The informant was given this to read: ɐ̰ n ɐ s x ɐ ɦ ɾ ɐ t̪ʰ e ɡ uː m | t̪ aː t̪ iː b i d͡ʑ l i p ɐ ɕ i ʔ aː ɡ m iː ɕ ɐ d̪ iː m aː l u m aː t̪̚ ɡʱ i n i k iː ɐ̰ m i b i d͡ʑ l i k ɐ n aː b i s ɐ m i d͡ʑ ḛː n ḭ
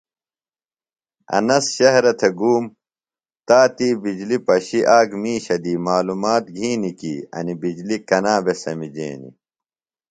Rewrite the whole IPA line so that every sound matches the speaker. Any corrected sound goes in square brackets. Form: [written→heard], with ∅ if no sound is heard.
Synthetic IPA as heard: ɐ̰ n ɐ s [x→ɕ] ɐ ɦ ɾ ɐ t̪ʰ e ɡ uː m | t̪ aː t̪ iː b i d͡ʑ l i p ɐ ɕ i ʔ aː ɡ m iː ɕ ɐ d̪ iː m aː l u m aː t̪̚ ɡʱ [i→iː] n i k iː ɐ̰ [m→n] i b i d͡ʑ l i k ɐ n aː b [i→e] s ɐ m i d͡ʑ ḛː n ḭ